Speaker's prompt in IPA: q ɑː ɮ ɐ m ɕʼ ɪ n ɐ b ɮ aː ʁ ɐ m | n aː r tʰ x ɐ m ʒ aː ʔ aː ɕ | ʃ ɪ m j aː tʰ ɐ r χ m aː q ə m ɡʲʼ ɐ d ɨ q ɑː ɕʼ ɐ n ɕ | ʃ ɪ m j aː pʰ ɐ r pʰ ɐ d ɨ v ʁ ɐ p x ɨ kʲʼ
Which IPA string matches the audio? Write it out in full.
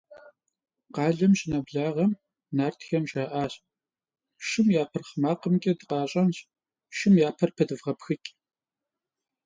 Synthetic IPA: q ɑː ɮ ɐ m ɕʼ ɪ n ɐ b ɮ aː ʁ ɐ m | n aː r tʰ x ɐ m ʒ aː ʔ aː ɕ | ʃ ɪ m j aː pʰ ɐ r χ m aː q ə m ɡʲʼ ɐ d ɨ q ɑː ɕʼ ɐ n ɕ | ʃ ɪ m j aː pʰ ɐ r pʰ ɐ d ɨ v ʁ ɐ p x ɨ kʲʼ